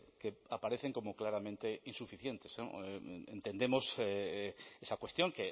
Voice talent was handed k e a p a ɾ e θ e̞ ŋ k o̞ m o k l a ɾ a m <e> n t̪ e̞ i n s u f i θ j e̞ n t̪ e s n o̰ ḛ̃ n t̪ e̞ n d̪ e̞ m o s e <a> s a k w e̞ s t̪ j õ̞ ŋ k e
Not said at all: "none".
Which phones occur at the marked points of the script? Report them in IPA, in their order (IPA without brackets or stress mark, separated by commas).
ẽ, e